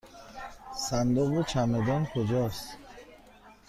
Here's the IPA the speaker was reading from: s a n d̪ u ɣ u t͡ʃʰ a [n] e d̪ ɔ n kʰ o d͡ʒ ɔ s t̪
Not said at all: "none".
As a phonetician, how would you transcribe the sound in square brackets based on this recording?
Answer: m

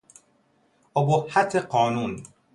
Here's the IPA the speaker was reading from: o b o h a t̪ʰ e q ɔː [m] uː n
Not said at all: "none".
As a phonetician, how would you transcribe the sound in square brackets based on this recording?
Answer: n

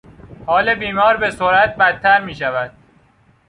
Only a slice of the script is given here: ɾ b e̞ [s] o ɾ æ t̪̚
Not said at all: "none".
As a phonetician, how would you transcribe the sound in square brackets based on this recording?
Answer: s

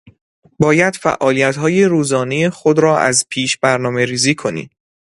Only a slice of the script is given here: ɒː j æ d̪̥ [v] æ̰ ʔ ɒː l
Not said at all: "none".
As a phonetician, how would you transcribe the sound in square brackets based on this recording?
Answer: f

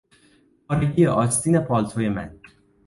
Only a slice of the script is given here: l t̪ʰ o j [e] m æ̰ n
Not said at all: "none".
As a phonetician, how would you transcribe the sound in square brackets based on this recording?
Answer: e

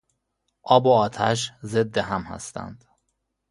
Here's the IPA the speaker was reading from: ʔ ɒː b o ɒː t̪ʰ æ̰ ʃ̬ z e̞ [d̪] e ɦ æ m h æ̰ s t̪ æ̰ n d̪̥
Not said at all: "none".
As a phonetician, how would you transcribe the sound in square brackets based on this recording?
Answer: d̪ː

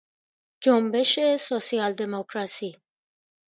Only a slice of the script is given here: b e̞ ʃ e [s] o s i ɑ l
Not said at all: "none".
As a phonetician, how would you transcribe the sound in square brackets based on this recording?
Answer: s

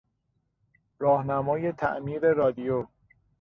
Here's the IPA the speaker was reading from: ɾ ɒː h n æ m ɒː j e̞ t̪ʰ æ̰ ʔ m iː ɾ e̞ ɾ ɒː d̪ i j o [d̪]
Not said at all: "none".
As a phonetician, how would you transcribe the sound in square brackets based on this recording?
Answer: none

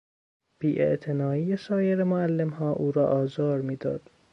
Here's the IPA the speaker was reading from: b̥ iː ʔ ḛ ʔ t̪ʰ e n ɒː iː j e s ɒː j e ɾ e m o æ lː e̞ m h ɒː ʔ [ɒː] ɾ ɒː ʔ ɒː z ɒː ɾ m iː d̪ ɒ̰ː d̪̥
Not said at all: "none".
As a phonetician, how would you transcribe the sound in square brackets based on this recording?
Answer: uː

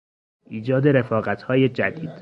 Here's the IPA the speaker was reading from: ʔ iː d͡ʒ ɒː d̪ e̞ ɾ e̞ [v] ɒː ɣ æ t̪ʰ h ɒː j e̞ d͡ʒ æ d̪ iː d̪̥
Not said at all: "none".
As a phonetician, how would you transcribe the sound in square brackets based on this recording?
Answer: f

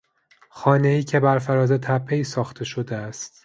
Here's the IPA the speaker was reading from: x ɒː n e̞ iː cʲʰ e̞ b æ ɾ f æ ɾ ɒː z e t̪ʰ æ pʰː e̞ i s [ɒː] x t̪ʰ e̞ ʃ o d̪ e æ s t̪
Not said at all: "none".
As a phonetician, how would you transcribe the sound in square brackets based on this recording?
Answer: ɒː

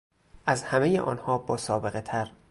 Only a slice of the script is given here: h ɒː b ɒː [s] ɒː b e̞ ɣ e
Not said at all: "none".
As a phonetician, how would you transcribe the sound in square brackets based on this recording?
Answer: s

